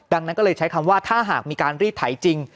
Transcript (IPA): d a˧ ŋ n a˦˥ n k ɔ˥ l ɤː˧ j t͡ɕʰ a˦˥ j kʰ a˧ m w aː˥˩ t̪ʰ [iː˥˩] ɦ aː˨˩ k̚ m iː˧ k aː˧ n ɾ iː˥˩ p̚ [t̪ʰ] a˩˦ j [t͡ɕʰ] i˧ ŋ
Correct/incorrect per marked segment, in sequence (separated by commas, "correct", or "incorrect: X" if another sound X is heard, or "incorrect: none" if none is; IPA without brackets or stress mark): incorrect: aː˥˩, correct, incorrect: t͡ɕ